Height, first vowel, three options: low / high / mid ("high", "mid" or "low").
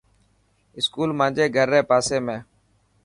high